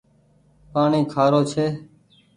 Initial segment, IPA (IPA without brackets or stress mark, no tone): p